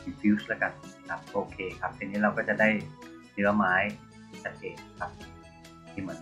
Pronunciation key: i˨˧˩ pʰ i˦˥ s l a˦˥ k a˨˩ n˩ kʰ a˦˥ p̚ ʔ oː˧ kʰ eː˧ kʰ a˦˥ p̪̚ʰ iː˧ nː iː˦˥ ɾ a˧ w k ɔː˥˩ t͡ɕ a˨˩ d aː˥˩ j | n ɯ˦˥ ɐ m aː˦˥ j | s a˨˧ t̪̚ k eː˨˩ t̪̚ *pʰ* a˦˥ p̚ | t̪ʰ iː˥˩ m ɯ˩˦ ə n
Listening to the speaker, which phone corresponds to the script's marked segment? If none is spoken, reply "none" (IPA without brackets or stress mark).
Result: kʰ